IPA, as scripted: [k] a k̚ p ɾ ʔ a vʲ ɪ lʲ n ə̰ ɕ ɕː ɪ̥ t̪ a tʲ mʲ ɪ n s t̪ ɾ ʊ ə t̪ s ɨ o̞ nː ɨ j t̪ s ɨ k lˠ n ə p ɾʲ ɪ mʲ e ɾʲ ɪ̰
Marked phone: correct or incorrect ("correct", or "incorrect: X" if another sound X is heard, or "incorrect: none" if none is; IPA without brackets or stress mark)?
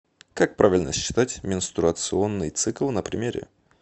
correct